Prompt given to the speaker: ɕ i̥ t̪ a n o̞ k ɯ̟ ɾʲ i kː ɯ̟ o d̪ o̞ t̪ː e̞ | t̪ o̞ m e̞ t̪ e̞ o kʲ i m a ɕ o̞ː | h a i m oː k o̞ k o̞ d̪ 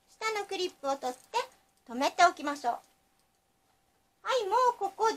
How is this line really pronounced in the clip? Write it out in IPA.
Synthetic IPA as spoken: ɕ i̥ t̪ a n o̞ k ɯ̟ ɾʲ i pː ɯ̟ o t̪ o̞ t̪ː e̞ | t̪ o̞ m e̞ t̪ e̞ o kʲ i m a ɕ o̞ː | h a i m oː k o̞ k o̞ d̪

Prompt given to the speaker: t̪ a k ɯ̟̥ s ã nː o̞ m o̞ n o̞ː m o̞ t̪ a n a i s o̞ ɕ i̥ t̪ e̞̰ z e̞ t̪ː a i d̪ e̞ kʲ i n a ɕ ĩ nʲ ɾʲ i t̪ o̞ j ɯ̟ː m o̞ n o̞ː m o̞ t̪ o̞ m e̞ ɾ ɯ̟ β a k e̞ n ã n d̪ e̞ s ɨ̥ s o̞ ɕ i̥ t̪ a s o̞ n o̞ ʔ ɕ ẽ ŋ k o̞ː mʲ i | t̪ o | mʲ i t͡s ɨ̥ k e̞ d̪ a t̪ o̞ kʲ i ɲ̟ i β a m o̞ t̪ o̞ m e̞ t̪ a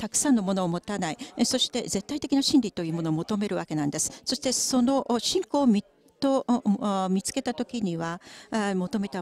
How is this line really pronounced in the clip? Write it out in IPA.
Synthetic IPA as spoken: t̪ a k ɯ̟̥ s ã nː o̞ m o̞ n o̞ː m o̞ t̪ a n a i s o̞ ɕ i̥ t̪ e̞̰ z e̞ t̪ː a i t̪ e̞ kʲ i n a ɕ ĩ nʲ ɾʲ i t̪ o̞ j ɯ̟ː m o̞ n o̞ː m o̞ t̪ o̞ m e̞ ɾ ɯ̟ β a k e̞ n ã n d̪ e̞ s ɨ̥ s o̞ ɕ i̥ t̪ e s o̞ n o̞ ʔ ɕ ĩ ŋ k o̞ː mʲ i | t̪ o | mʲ i t͡s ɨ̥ k e̞ t̪ a t̪ o̞ kʲ i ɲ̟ i β a m o̞ t̪ o̞ m e̞ t̪ a

